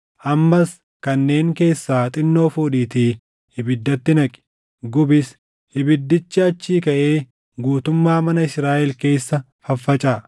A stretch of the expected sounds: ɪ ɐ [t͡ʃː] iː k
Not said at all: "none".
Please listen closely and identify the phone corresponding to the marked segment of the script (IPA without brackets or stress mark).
t͡ʃː